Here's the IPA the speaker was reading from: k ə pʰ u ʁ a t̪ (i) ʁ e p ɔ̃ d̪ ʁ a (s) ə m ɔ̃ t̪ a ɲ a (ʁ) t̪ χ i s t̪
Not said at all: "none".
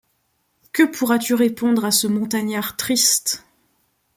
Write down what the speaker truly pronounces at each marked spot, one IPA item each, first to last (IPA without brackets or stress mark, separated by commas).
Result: y, s, ʁ